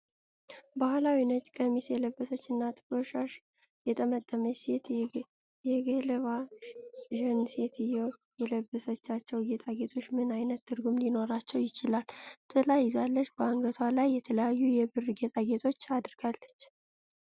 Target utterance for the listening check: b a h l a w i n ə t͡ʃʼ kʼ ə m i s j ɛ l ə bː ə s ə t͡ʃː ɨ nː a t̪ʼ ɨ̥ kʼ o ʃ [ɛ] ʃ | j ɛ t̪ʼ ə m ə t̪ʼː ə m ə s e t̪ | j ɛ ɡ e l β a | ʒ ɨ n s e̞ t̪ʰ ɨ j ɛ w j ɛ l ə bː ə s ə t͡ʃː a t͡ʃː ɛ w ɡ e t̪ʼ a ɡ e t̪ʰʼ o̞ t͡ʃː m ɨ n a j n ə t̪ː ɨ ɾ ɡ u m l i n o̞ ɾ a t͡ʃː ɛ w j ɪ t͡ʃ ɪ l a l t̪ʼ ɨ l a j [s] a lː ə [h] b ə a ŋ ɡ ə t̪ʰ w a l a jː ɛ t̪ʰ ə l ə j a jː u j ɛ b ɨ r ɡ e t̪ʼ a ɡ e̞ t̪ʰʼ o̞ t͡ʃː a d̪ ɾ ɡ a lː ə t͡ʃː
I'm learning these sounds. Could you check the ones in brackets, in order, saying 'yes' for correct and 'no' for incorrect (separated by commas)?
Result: no, no, no